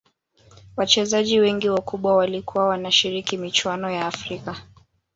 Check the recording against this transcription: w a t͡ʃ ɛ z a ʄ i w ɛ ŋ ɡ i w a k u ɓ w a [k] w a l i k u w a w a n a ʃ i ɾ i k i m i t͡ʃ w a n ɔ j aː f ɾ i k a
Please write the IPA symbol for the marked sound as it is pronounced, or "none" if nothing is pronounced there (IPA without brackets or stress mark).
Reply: none